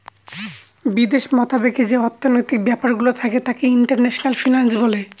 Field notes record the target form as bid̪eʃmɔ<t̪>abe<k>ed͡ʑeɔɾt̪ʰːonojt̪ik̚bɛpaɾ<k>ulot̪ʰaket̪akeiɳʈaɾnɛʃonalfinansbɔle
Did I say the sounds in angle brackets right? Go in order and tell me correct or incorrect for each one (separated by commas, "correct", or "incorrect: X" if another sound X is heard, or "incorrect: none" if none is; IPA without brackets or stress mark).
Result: correct, correct, incorrect: ɡ